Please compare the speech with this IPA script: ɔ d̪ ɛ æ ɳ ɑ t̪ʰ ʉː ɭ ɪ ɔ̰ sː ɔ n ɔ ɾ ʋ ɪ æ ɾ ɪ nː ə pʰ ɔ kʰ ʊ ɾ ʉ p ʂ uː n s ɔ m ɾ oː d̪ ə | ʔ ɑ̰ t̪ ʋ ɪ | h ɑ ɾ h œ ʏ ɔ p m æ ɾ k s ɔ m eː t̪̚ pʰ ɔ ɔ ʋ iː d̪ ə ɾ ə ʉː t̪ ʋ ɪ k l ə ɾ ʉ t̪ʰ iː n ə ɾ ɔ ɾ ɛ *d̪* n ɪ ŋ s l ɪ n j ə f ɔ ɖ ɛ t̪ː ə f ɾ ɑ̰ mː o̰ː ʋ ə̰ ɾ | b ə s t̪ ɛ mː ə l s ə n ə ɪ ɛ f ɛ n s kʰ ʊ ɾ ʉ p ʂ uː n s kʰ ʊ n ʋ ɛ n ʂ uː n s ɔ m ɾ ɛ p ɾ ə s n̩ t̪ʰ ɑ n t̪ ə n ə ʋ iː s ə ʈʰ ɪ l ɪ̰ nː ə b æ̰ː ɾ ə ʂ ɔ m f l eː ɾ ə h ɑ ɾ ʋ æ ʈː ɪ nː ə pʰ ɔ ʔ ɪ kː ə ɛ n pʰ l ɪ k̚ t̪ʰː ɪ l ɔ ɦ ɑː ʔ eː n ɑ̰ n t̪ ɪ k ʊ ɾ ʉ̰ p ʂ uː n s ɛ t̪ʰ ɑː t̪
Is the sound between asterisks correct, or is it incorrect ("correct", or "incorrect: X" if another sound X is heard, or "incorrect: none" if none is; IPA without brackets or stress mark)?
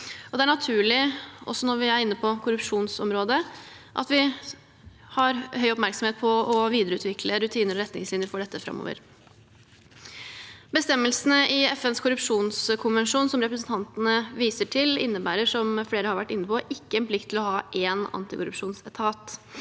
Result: incorrect: t̪